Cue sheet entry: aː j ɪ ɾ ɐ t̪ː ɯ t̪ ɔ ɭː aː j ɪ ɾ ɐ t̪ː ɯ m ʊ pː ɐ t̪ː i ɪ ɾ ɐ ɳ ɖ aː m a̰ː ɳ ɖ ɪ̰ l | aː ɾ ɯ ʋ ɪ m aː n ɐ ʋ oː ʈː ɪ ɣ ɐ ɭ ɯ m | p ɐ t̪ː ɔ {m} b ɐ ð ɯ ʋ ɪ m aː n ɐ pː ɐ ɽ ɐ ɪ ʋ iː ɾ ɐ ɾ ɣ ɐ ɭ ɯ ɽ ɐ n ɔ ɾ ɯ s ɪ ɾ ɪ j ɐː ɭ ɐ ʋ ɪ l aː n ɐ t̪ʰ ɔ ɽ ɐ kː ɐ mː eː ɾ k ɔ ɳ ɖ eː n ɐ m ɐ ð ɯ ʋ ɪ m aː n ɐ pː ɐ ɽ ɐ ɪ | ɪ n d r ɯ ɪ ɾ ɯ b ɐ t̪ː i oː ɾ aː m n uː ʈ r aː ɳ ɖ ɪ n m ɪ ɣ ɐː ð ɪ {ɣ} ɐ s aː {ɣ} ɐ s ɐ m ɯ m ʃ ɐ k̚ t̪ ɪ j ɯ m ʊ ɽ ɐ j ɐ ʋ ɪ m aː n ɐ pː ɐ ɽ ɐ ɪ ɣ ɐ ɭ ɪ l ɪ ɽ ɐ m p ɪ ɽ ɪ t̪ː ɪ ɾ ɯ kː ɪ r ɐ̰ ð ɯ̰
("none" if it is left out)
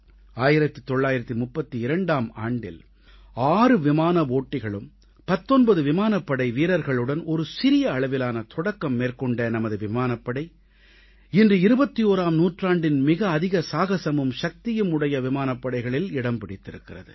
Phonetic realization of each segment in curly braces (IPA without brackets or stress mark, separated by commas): n, ɣ, ɣ